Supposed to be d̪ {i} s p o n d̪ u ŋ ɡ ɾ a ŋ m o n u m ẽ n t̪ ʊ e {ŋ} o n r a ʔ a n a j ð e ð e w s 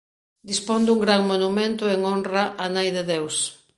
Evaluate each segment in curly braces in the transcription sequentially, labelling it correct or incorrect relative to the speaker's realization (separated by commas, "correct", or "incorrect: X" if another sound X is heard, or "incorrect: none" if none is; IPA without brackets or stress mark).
correct, correct